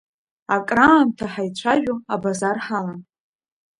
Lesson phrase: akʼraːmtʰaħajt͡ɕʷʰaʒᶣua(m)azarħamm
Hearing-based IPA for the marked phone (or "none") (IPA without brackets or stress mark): b